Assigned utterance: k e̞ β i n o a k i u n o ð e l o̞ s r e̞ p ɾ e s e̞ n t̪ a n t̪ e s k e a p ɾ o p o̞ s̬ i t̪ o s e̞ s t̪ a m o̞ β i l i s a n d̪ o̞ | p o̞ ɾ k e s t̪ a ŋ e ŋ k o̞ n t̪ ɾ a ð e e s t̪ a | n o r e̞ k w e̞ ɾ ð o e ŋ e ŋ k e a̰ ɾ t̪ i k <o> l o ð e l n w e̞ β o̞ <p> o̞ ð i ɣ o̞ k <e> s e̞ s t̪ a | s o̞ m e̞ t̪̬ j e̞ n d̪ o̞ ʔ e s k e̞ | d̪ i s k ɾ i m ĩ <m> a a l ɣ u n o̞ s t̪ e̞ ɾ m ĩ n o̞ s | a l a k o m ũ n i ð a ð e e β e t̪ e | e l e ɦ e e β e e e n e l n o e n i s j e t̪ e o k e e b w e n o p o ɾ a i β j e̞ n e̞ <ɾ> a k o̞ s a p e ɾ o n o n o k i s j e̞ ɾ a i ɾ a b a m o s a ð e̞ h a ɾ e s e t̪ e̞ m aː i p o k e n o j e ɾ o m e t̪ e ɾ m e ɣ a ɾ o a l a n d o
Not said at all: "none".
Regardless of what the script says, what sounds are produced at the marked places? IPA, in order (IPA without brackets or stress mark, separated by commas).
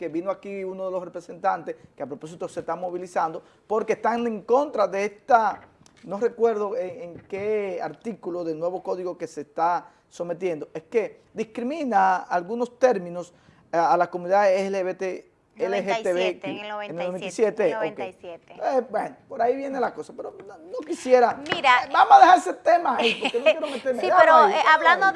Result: u, k, e, n, l